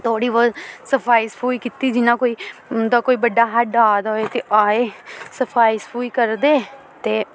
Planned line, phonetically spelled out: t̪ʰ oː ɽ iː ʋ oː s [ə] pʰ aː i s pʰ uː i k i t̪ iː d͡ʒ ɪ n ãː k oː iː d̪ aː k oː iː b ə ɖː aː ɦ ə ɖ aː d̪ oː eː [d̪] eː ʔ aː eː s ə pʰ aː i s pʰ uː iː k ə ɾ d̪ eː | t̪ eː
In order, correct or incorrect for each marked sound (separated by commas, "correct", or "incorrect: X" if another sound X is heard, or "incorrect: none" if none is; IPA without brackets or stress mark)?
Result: correct, incorrect: t̪